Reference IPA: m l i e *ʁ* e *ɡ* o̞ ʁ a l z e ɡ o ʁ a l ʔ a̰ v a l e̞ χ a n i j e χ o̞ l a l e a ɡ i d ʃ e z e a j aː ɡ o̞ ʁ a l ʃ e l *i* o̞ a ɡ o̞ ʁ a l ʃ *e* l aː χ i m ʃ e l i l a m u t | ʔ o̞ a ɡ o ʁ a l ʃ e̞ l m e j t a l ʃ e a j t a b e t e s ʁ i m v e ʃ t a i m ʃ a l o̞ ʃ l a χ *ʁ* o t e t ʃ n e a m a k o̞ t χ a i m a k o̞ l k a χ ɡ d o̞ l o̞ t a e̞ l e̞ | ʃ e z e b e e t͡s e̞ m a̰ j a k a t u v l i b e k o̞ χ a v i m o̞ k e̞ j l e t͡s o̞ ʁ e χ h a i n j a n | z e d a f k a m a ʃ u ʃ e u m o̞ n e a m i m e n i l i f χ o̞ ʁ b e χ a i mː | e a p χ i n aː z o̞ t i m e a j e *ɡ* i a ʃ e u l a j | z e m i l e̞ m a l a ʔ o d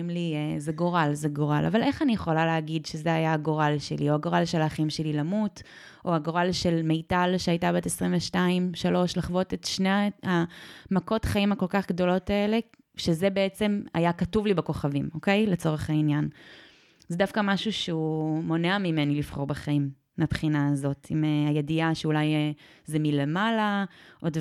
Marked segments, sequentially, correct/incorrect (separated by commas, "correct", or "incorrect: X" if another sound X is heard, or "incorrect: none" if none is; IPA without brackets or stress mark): incorrect: z, correct, correct, correct, incorrect: v, incorrect: d